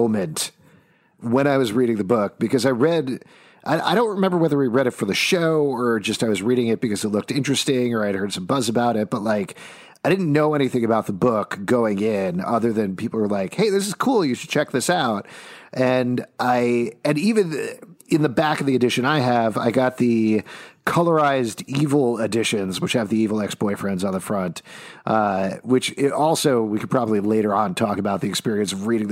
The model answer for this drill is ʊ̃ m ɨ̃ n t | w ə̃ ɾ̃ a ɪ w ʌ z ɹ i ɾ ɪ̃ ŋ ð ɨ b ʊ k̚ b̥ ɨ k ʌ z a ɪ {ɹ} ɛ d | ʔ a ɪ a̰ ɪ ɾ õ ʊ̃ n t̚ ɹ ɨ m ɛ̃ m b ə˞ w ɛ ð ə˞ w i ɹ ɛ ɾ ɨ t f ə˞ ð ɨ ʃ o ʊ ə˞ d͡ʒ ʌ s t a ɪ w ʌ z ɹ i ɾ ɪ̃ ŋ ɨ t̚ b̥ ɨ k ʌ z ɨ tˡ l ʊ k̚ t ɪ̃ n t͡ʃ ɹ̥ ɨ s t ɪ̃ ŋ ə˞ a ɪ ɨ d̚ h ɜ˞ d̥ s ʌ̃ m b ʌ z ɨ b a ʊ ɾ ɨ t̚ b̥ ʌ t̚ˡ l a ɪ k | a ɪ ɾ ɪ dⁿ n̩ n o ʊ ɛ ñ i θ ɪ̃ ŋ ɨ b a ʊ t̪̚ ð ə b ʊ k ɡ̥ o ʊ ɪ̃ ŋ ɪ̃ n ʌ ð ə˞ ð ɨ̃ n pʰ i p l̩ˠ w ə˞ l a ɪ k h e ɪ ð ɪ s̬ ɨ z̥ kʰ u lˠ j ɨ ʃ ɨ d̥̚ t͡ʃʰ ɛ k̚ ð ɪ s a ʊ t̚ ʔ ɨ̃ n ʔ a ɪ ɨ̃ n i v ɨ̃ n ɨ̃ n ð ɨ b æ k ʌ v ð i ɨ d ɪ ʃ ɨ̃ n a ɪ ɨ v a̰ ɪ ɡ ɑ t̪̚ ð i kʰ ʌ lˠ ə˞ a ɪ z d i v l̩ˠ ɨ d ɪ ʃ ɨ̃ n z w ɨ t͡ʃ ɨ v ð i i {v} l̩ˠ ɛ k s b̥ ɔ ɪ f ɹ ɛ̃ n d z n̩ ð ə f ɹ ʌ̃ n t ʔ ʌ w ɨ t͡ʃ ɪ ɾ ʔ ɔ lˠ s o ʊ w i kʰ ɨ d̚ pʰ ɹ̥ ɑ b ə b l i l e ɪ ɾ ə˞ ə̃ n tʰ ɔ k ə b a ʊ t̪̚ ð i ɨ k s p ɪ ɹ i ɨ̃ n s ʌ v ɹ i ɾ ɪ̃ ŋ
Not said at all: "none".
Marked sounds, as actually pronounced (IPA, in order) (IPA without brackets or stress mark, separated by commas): ɹ, v